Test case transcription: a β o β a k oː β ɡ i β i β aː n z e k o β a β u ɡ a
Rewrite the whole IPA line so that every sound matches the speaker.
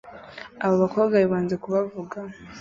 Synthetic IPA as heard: a β o β a k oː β ɡ a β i β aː n z e k u β a v u ɡ a